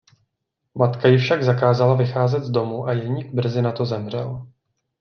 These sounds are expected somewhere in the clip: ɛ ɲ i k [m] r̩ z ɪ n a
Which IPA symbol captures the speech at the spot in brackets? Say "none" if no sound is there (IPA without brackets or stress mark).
b